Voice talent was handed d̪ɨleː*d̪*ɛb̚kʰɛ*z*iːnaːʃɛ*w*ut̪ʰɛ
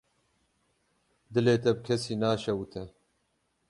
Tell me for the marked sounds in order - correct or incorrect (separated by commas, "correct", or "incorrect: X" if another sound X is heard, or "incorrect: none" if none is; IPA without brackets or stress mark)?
incorrect: t̪, incorrect: s, correct